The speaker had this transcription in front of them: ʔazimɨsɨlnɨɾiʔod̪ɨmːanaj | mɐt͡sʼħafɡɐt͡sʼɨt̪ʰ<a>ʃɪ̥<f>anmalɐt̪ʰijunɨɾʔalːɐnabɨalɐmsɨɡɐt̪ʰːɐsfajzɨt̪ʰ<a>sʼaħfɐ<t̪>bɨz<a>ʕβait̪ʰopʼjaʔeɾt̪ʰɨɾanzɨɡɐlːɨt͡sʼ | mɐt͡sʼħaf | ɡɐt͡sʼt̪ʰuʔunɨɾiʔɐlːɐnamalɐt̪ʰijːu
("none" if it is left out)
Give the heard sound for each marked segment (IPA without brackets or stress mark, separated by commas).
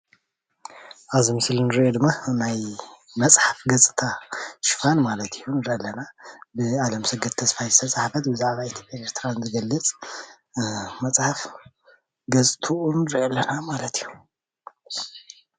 a, f, ɐ, t̪, a